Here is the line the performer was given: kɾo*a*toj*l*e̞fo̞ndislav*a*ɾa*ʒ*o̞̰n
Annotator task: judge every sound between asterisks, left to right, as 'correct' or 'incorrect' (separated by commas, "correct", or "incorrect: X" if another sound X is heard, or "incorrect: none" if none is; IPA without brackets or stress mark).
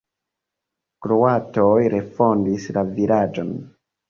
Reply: correct, incorrect: ɾ, incorrect: i, incorrect: d͡ʒ